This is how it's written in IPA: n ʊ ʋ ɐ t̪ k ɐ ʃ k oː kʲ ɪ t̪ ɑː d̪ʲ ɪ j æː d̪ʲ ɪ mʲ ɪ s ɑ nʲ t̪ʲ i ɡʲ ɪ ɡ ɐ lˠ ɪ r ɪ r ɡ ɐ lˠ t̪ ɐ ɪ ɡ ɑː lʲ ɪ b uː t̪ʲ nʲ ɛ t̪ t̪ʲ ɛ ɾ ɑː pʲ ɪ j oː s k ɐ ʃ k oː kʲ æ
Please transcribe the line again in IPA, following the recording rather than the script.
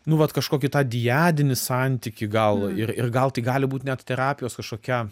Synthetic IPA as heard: n ʊ ʋ ɐ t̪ k ɐ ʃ k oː kʲ ɪ t̪ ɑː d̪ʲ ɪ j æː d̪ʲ ɪ nʲ ɪ s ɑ nʲ t̪ʲ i kʲ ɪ ɡ ɐ lˠ ɪ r ɪ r ɡ ɐ lˠ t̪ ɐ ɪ ɡ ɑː lʲ ɪ b uː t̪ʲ nʲ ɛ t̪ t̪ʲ ɛ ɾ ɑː pʲ ɪ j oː s k ɐ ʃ k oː kʲ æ